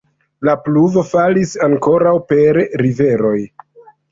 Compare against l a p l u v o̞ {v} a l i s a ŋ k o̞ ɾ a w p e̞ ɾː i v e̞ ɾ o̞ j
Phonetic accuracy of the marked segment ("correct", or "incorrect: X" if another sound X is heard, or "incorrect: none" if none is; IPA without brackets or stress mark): incorrect: f